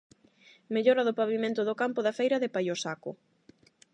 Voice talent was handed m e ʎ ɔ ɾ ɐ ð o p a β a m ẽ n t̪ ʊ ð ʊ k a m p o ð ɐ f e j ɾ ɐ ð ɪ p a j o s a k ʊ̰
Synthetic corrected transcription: m e ʎ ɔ ɾ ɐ ð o p a β i m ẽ n t̪ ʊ ð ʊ k a m p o ð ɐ f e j ɾ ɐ ð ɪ p a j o s a k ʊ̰